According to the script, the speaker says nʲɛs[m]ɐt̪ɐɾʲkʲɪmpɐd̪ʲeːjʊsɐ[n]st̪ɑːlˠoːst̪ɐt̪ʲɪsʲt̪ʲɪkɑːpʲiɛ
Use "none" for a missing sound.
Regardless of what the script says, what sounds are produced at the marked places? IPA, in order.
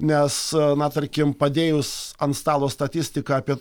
n, n

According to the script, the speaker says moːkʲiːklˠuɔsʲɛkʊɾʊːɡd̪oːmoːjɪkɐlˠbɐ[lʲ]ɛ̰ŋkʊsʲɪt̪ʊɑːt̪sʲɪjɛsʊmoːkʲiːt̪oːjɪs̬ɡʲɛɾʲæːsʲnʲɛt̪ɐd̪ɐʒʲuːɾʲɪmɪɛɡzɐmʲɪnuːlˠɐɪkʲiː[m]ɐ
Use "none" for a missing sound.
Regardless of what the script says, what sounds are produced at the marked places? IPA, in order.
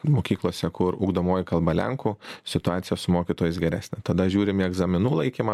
lʲ, m

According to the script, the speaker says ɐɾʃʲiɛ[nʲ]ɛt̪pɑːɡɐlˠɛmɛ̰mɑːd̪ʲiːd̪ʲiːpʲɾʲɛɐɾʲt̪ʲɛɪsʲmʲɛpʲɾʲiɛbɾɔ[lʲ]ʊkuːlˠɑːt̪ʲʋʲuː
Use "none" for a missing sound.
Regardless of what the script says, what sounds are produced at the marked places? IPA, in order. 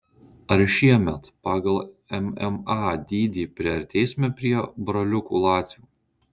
mʲ, lʲ

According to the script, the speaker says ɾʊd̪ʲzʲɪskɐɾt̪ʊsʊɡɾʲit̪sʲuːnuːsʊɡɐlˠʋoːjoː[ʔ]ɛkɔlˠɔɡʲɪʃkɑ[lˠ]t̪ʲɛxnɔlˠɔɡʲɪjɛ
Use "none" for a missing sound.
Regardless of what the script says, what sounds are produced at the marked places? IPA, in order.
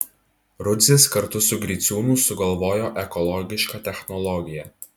ʔ, none

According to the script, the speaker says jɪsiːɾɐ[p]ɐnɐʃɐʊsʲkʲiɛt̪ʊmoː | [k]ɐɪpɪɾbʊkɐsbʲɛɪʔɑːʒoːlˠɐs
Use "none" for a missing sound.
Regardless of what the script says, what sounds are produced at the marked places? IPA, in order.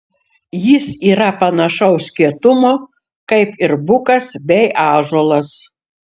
p, k

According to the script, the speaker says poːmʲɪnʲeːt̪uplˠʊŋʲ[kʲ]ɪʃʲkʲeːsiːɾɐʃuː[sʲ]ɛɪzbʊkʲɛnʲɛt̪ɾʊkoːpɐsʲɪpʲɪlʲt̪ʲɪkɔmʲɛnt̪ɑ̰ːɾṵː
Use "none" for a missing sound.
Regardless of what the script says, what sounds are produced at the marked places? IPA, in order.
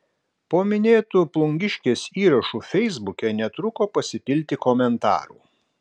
ɡʲ, fʲ

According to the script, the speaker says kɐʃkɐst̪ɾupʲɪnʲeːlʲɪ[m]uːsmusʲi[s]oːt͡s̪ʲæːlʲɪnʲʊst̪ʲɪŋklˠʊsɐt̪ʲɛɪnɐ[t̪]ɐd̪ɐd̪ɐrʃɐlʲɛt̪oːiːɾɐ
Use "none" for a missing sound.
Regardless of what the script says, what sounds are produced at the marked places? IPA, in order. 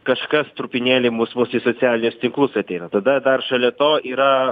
m, s, t̪

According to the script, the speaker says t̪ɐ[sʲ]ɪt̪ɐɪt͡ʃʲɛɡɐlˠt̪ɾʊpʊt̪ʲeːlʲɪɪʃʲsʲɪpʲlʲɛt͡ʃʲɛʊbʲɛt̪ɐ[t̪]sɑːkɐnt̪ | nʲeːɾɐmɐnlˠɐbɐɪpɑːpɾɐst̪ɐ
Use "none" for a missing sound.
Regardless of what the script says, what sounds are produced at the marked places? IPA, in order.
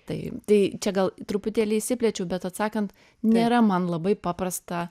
none, t̪

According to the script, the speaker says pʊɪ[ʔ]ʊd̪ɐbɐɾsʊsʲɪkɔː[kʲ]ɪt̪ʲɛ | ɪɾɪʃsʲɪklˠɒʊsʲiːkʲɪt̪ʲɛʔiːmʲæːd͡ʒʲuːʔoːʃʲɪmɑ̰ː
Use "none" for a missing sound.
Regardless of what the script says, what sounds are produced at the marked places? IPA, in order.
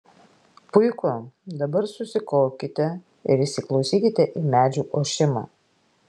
k, kʲ

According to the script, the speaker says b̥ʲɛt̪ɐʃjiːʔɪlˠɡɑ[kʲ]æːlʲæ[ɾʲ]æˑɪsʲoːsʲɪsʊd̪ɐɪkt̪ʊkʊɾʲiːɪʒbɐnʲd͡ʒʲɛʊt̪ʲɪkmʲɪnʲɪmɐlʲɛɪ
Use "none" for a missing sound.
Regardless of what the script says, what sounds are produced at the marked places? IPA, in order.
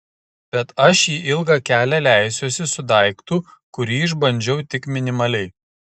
kʲ, lʲ

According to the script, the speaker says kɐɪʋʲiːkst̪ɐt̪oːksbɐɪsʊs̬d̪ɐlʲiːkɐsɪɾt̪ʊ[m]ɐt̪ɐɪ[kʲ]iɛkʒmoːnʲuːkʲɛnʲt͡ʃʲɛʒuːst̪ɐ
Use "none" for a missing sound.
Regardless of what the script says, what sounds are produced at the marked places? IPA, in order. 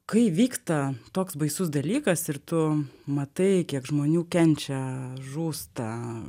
m, kʲ

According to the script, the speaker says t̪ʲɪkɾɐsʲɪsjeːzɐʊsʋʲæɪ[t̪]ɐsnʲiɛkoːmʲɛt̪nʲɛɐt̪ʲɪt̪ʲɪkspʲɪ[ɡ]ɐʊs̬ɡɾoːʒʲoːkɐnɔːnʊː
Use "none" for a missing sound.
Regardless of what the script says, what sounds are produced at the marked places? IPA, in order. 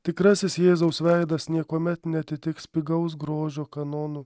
d̪, ɡ

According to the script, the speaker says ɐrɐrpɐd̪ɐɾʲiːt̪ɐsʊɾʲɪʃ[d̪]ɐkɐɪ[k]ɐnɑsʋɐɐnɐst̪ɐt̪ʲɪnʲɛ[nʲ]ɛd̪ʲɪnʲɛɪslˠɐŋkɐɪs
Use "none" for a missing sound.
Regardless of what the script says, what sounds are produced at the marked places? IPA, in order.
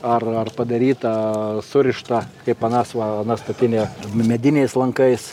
t̪, p, mʲ

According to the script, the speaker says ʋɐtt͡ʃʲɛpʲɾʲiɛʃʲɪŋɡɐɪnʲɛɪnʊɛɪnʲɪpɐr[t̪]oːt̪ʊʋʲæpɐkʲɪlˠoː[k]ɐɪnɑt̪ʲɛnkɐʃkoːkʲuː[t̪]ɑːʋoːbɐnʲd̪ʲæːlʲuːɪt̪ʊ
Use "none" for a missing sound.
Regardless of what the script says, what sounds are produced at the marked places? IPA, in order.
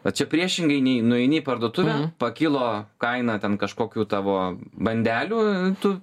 d̪, k, t̪

